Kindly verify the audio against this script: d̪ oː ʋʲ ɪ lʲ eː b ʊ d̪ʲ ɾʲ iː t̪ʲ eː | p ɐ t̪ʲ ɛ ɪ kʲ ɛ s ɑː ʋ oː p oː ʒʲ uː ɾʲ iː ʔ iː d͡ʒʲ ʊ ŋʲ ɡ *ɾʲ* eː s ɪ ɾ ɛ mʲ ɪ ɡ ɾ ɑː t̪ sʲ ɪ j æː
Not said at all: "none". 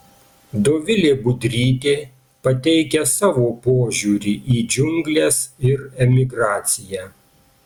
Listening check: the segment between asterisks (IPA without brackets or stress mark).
lʲ